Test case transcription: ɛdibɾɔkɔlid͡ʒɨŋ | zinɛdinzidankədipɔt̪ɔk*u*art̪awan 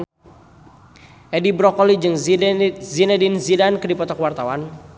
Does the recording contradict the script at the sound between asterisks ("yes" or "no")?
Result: yes